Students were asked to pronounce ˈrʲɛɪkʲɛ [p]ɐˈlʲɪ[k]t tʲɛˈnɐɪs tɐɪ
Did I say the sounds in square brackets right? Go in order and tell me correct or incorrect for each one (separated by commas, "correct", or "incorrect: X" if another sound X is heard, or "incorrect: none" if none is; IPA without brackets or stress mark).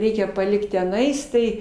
correct, correct